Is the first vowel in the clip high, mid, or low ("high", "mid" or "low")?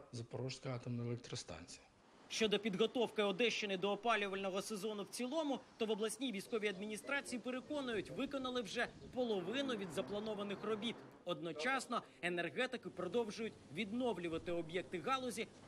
low